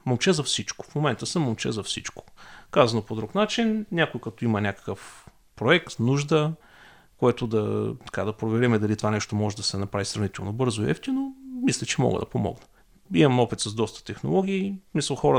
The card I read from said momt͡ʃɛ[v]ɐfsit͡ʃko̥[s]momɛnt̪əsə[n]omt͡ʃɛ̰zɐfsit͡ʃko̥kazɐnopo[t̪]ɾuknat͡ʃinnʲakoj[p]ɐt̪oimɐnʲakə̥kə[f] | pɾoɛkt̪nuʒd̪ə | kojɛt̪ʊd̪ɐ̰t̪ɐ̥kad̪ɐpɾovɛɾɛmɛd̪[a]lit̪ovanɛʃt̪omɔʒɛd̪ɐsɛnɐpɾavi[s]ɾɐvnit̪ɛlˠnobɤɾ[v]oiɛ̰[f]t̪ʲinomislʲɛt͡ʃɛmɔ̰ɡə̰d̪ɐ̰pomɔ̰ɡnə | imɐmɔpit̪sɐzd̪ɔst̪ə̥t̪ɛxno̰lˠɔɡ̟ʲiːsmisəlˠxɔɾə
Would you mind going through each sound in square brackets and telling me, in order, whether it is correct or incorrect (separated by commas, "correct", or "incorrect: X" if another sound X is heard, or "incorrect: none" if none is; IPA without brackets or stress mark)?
incorrect: z, incorrect: f, incorrect: m, incorrect: d̪, incorrect: k, correct, incorrect: ɐ, correct, incorrect: z, correct